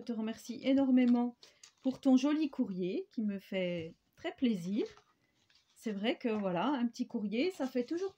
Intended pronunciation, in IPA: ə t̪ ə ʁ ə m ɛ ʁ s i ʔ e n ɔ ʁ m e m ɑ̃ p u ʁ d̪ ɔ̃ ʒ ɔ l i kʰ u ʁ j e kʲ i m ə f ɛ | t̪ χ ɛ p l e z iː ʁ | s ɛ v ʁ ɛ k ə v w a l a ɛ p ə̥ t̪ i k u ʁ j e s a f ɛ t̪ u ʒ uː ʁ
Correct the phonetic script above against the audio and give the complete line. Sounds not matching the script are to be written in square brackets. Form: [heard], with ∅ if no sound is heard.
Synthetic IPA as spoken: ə t̪ ə ʁ ə m ɛ ʁ s i ʔ e n ɔ ʁ m e m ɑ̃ p u ʁ [t̪] ɔ̃ ʒ ɔ l i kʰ u ʁ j e kʲ i m ə f ɛ | t̪ χ ɛ p l e z iː ʁ | s ɛ v ʁ ɛ k ə v w a l a [ɛ̃] p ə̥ t̪ i k u ʁ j e s a f ɛ t̪ u ʒ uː ʁ